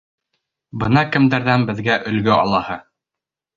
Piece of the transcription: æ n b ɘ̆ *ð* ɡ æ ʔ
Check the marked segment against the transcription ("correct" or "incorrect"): correct